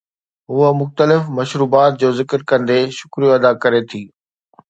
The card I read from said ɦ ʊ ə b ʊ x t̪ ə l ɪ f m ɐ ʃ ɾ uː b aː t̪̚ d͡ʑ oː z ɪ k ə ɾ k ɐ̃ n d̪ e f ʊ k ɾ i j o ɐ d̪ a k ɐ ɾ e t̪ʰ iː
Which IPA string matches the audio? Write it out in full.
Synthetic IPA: ɦ ʊ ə m ʊ x t̪ ə l ɪ f m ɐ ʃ ɾ uː b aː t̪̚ d͡ʑ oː z ɪ k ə ɾ k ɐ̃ n d̪ e ʃ ʊ k ɾ i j o ɐ d̪ a k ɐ ɾ e t̪ʰ iː